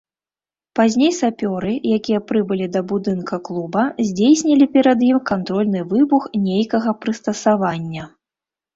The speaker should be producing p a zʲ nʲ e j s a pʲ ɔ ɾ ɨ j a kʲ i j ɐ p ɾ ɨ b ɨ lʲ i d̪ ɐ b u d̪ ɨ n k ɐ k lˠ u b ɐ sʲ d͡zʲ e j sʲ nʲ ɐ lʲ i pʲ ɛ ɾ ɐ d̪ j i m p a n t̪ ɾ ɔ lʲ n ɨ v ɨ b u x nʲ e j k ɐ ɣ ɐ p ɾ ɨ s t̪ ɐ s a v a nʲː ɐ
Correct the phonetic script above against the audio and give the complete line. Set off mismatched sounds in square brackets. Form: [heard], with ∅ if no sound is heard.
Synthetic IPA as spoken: p a zʲ nʲ e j s a pʲ ɔ ɾ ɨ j a kʲ i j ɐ p ɾ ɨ b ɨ lʲ i d̪ ɐ b u d̪ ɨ n k ɐ k lˠ u b ɐ [zʲ] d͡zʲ e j sʲ nʲ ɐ lʲ i pʲ ɛ ɾ ɐ d̪ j i m [k] a n t̪ ɾ ɔ lʲ n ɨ v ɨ b u x nʲ e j k ɐ ɣ ɐ p ɾ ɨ s t̪ ɐ s a v a nʲː ɐ